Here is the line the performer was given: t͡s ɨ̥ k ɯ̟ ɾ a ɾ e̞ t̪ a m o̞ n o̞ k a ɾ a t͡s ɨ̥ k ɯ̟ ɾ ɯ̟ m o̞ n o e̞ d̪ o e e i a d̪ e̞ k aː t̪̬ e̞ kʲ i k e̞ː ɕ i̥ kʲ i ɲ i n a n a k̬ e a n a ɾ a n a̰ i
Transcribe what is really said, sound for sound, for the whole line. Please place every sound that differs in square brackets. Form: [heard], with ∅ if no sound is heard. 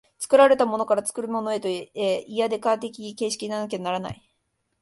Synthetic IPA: t͡s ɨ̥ k ɯ̟ ɾ a ɾ e̞ t̪ a m o̞ n o̞ k a ɾ a t͡s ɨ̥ k ɯ̟ ɾ ɯ̟ m o̞ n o e̞ [t̪] o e e i a d̪ e̞ k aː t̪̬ e̞ kʲ i k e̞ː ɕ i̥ kʲ i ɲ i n a n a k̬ e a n a ɾ a n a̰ i